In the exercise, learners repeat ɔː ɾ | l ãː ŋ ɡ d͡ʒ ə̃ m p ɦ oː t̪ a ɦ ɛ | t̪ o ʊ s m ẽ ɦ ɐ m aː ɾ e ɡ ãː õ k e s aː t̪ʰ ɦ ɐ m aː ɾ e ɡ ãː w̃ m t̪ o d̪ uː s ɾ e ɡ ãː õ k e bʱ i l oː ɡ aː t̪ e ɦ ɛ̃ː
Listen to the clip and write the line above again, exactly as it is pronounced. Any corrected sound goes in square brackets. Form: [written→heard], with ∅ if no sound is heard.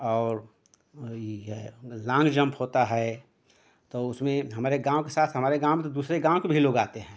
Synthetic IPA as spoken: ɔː ɾ | l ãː ŋ ɡ d͡ʒ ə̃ m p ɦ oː t̪ a ɦ ɛ | t̪ o ʊ s m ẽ ɦ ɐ m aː ɾ e ɡ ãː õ k e s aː t̪ʰ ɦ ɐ m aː ɾ e ɡ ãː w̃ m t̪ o d̪ uː s ɾ e ɡ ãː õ k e bʱ i l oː ɡ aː t̪ e ɦ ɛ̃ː